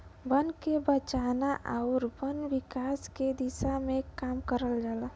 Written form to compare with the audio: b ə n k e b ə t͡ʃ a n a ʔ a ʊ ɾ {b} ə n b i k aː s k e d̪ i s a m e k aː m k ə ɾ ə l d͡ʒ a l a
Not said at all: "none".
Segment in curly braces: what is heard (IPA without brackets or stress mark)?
b